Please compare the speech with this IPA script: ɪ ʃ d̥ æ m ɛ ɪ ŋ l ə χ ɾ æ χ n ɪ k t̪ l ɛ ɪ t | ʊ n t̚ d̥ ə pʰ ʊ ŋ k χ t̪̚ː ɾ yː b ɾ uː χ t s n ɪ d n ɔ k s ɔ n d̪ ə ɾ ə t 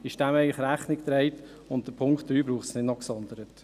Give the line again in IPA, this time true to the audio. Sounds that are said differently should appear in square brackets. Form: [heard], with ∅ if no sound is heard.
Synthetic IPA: ɪ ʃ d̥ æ m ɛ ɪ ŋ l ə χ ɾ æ χ n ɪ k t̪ [ɾ] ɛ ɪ t | ʊ n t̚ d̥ ə pʰ ʊ ŋ k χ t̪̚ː ɾ yː b ɾ uː χ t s n ɪ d n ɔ k s ɔ n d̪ ə ɾ ə t